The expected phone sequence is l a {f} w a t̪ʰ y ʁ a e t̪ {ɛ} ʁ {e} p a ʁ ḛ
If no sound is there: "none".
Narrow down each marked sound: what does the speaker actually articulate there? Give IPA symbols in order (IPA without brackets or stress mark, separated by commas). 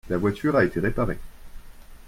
v, e, e